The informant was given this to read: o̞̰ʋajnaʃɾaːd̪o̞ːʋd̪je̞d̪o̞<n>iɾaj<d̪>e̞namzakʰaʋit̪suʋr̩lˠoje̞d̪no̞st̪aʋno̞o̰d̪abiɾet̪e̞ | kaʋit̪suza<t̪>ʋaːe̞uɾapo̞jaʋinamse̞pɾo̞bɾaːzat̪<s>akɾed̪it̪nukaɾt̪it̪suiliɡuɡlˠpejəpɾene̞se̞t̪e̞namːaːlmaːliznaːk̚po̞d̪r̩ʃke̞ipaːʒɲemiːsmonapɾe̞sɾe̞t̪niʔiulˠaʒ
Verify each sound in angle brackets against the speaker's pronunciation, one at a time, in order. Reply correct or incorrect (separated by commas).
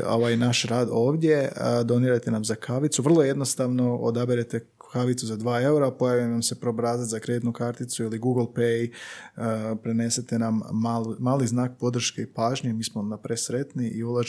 correct, incorrect, incorrect, incorrect